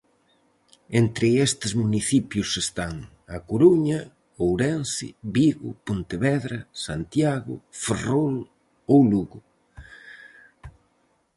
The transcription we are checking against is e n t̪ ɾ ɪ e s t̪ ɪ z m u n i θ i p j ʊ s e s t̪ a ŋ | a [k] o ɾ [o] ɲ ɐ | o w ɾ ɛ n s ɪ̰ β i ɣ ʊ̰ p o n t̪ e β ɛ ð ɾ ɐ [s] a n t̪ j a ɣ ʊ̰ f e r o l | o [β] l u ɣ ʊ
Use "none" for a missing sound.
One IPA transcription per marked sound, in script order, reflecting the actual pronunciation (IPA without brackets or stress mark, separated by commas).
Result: k, u, s, w